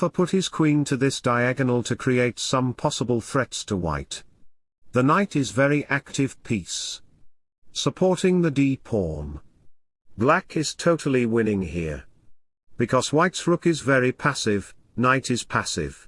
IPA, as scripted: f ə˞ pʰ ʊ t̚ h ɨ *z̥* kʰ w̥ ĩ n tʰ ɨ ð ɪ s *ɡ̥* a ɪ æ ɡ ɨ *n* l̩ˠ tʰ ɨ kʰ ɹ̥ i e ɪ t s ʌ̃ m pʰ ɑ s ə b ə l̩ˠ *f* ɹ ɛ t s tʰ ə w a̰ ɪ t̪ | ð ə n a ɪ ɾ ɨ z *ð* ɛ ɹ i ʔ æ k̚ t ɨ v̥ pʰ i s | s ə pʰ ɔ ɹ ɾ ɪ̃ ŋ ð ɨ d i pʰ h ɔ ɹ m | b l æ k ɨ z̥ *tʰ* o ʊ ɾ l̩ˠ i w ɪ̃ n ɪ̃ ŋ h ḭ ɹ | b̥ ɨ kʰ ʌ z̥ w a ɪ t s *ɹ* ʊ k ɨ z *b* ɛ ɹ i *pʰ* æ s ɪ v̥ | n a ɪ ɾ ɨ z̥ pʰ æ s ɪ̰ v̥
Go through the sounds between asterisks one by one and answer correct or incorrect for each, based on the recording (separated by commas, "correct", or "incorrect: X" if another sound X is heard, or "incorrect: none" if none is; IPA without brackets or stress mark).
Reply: correct, incorrect: d̥, correct, incorrect: θ, incorrect: v, correct, correct, incorrect: v, correct